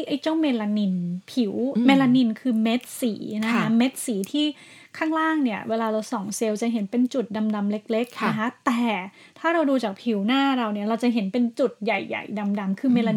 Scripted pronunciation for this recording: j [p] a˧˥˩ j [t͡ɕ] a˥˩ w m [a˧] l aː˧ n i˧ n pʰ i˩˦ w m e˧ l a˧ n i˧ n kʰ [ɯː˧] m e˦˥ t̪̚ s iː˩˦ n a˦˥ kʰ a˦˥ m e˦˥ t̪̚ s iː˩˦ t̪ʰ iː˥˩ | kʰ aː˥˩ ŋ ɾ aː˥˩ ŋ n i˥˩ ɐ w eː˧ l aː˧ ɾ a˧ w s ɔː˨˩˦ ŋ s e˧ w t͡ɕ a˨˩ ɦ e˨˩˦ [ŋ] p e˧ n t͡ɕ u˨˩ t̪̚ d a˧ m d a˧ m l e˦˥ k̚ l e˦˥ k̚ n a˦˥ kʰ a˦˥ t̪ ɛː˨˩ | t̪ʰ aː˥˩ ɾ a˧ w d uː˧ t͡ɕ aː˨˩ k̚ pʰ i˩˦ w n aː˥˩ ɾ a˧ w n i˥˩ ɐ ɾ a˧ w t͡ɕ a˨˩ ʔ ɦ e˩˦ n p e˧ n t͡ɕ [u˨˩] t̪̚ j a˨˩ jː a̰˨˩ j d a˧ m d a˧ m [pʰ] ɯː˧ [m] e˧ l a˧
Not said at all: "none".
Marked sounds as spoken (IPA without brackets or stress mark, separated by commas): ʔ, t͡ɕ, e˧, ɯː˧, n, u˨˩, kʰ, m